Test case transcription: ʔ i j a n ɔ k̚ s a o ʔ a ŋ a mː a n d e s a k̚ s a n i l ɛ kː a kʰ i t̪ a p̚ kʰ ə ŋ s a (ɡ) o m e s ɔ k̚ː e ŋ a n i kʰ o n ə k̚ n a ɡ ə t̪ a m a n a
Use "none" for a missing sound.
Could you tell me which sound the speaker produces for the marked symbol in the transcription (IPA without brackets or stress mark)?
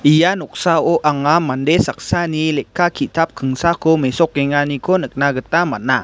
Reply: k